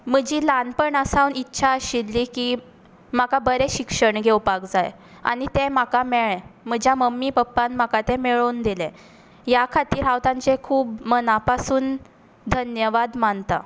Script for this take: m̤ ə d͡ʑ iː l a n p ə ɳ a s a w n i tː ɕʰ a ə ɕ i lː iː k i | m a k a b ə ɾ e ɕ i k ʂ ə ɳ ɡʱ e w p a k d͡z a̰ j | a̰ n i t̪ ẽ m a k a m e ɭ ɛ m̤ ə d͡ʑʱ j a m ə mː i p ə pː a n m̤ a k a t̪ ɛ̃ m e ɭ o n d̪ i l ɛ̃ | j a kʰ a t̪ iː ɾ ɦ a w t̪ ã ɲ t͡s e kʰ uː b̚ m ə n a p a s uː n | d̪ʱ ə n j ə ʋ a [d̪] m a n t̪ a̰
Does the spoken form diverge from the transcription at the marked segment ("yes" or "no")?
no